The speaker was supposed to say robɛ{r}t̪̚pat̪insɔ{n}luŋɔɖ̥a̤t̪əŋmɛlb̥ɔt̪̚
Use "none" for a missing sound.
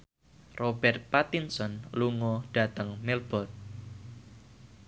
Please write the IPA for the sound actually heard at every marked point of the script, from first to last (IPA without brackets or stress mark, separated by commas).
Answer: r, n